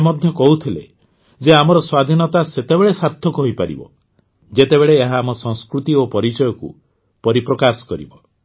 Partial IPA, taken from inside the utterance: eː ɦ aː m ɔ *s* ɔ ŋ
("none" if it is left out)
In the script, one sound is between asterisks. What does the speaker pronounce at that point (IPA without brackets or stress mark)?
s